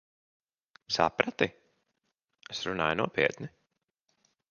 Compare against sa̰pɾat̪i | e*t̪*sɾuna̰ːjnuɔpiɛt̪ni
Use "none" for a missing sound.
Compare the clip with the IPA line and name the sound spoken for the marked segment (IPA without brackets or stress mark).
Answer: none